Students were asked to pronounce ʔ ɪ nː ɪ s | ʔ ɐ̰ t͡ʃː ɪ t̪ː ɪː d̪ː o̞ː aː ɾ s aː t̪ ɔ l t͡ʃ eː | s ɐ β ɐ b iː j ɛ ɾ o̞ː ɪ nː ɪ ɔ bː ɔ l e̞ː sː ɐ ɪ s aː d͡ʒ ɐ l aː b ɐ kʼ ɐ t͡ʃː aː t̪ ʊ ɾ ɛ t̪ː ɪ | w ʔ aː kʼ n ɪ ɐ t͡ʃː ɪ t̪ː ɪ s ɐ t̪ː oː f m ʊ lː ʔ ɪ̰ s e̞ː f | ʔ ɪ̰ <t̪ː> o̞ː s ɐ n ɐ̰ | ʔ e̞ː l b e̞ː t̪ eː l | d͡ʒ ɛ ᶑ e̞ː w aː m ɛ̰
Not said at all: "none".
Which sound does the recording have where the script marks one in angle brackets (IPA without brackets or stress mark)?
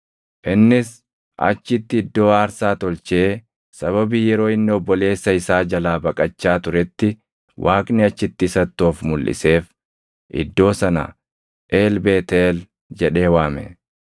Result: d̪ː